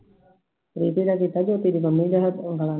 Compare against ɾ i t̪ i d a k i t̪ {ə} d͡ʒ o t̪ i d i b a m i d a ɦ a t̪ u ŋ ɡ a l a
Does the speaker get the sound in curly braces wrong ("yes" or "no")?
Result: yes